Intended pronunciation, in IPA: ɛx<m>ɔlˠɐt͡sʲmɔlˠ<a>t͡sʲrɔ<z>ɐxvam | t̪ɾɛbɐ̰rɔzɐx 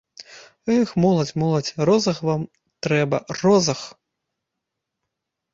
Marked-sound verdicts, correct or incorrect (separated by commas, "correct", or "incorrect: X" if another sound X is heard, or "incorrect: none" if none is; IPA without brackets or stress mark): correct, incorrect: ɐ, correct